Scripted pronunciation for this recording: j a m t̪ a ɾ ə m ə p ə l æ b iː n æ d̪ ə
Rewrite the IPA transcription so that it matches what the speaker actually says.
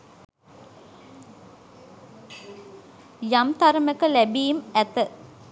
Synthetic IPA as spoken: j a m t̪ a ɾ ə m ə k ə l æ b iː m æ t̪ ə

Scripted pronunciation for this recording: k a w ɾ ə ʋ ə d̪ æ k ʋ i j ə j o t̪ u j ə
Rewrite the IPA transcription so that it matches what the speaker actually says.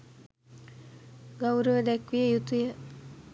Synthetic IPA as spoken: ɡ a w ɾ ə ʋ ə d̪ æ k ʋ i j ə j u t̪ u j ə

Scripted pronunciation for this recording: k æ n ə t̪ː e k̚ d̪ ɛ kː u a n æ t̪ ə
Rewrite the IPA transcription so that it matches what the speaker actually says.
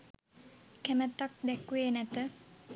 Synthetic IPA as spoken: k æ m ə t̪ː a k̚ d̪ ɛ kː u e n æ t̪ ə

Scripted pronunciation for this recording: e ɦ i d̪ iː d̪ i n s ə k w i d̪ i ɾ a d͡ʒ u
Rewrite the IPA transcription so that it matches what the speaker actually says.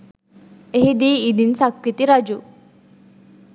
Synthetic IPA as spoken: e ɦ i d̪ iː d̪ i n s a k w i t̪ i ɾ a d͡ʒ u

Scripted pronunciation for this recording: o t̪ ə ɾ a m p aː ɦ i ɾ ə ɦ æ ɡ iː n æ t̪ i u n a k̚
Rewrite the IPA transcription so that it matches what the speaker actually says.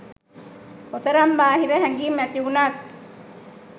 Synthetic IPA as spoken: o t̪ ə ɾ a m b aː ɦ i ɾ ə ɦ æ ɡ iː m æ t̪ i u n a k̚

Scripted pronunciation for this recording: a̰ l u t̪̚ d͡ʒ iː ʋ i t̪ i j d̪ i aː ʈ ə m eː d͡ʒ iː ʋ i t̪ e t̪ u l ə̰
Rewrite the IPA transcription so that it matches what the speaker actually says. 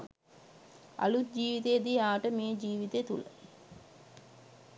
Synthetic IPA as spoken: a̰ l u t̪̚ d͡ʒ iː ʋ i t̪ e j d̪ i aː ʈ ə m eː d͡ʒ iː ʋ i t̪ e t̪ u l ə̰

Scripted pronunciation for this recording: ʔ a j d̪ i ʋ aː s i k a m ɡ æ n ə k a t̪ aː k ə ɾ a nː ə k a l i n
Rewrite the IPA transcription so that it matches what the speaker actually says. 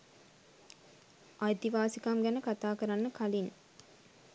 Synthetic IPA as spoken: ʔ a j t̪ i ʋ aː s i k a m ɡ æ n ə k a t̪ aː k ə ɾ a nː ə k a l i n

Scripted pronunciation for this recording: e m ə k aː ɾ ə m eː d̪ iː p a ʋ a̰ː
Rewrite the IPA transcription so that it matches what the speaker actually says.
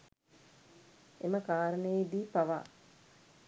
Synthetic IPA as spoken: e m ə k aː ɾ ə n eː d̪ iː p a ʋ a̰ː

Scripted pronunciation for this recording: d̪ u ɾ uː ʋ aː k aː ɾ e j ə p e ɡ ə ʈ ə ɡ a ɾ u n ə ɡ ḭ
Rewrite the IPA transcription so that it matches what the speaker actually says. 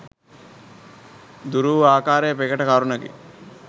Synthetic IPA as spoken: d̪ u ɾ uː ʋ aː k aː ɾ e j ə p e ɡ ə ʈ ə k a ɾ u n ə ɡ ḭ

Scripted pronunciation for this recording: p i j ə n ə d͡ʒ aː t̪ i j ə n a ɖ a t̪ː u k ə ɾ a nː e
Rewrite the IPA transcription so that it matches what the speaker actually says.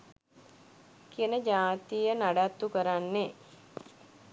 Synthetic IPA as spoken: k i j ə n ə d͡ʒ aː t̪ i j ə n a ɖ a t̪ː u k ə ɾ a nː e

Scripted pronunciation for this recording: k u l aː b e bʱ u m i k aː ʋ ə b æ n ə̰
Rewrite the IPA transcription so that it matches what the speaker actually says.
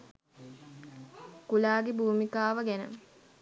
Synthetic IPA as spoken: k u l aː ɡ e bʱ uː m i k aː ʋ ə ɡ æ n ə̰

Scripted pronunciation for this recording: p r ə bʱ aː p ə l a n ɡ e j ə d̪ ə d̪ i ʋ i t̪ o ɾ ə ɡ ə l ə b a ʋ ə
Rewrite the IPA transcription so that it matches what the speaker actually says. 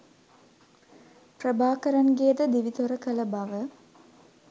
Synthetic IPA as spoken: p r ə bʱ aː k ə ɾ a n ɡ e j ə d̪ ə d̪ i ʋ i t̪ o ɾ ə k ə l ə b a ʋ ə

